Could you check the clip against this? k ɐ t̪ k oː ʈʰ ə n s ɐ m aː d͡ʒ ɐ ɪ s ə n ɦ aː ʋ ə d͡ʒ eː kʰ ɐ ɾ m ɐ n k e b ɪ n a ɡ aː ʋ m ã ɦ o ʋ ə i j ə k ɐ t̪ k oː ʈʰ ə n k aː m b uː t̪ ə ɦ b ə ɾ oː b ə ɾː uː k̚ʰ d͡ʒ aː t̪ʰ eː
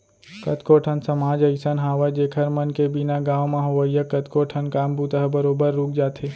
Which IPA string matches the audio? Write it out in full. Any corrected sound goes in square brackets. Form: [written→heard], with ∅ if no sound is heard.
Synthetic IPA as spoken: k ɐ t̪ k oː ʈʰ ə n s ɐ m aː d͡ʒ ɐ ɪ s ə n ɦ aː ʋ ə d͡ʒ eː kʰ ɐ ɾ m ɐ n k e b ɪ n a ɡ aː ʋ m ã ɦ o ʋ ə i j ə k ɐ t̪ k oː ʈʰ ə n k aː m b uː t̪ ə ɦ b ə ɾ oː b ə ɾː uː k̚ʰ d͡ʒ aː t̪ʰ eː